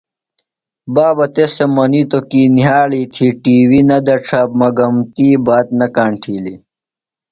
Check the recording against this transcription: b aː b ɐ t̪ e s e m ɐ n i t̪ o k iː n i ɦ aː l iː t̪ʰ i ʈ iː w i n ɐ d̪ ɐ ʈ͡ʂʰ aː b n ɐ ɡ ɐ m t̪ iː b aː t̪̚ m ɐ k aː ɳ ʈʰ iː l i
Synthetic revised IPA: b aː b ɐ t̪ e s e m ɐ n i t̪ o k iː n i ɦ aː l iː t̪ʰ i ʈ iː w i n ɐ d̪ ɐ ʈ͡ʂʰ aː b m ɐ ɡ ɐ m t̪ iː b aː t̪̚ n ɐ k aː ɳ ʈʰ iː l i